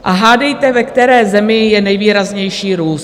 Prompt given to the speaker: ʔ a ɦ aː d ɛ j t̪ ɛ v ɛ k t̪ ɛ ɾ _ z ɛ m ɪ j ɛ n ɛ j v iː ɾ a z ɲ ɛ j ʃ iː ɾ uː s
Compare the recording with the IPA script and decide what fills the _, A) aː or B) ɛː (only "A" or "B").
B